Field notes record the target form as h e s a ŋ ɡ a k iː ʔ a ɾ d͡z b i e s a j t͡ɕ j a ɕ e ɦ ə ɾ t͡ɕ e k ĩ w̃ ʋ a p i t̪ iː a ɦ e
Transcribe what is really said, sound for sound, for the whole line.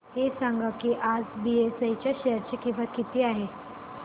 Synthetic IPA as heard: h e s a ŋ ɡ a k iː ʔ a d͡z b i e s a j t͡ɕ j a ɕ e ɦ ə ɾ t͡ɕ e k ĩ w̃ ʋ a k i t̪ iː a ɦ e

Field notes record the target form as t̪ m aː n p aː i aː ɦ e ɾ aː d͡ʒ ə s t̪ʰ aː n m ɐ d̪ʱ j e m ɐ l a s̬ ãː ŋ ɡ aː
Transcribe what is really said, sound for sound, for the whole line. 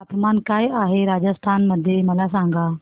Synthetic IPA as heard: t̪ m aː n k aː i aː ɦ e ɾ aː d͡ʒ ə s t̪ʰ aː n m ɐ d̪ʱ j e m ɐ l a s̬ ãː ŋ ɡ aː

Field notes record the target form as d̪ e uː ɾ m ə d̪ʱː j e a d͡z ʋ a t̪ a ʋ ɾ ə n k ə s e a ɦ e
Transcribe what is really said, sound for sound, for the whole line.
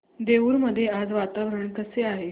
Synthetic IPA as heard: d̪ e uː ɾ m ə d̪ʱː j e a d͡z ʋ a t̪ a ʋ ɾ ə ɳ k ə s e a ɦ e

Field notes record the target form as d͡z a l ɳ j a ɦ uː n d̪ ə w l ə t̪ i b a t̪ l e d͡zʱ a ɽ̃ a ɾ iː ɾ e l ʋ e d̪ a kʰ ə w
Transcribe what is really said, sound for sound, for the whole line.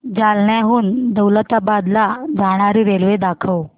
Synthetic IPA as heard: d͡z a l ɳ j a ɦ uː n d̪ ə w l ə t̪ a b a d̪ l a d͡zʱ a ɽ̃ a ɾ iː ɾ e l ʋ e d̪ a kʰ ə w

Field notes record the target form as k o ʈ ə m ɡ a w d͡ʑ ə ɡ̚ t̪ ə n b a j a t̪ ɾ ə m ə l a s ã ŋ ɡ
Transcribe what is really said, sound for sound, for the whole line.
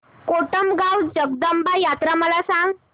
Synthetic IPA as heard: k o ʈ ə m ɡ a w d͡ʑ ə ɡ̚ d̪ ə m b a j a t̪ ɾ a m ə l a s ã ŋ ɡ

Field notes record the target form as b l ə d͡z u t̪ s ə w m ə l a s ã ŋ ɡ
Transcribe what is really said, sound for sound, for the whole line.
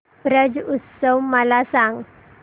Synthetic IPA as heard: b ɾ ə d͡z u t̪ s ə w m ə l a s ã ŋ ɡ

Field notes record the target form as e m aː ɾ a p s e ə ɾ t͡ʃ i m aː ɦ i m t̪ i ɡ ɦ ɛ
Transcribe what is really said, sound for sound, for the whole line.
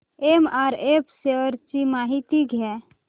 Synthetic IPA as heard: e m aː ɾ e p s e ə ɾ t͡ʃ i m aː ɦ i t̪ i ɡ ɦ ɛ

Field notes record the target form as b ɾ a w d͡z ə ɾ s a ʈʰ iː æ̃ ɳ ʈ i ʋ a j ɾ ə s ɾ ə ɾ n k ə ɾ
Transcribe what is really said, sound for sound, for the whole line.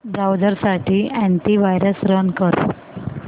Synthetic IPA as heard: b ɾ a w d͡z ə ɾ s a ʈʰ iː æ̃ ɳ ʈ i ʋ a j ɾ ə s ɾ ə n k ə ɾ

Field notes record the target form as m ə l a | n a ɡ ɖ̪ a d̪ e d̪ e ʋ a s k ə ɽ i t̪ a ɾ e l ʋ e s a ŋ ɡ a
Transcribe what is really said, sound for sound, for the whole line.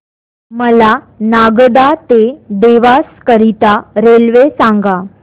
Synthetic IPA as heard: m ə l a | n a ɡ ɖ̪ a t̪ e d̪ e ʋ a s k ə ɾ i t̪ a ɾ e l ʋ e s a ŋ ɡ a

